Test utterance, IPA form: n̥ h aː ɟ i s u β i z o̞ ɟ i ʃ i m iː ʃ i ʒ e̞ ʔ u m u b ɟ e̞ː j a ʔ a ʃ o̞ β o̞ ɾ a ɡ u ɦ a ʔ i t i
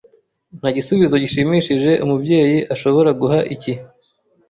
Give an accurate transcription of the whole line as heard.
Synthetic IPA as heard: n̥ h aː ɟ i s u β i z o̞ ɟ i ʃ i m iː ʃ i ʒ e̞ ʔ u m u b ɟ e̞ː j i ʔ a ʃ o̞ β o̞ ɾ a ɡ u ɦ a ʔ i c i